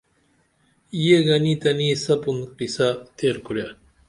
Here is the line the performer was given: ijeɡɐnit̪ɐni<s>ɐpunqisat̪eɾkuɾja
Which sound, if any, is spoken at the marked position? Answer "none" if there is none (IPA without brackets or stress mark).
s